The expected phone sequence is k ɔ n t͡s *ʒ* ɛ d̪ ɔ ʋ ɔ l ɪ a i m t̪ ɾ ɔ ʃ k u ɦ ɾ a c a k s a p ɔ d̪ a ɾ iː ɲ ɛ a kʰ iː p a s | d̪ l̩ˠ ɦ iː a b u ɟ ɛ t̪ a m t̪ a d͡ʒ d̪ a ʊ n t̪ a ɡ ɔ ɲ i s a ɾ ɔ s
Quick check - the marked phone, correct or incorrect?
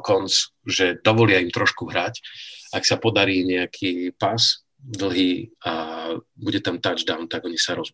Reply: correct